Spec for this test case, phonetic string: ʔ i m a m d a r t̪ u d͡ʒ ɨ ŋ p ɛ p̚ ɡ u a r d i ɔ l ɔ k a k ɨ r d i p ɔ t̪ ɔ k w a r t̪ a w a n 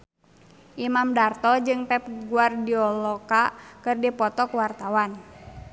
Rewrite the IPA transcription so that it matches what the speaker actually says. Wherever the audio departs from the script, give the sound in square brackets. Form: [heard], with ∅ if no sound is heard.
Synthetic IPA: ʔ i m a m d a r t̪ [ɔ] d͡ʒ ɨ ŋ p ɛ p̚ ɡ u a r d i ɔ l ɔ k a k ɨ r d i p ɔ t̪ ɔ k w a r t̪ a w a n